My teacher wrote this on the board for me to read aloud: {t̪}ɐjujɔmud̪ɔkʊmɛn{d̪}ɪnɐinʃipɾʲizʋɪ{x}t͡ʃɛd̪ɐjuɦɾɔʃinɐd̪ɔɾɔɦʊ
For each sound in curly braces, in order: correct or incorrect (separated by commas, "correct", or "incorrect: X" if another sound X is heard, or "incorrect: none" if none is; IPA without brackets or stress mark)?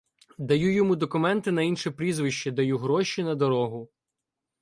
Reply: incorrect: d̪, incorrect: t̪, incorrect: ʃ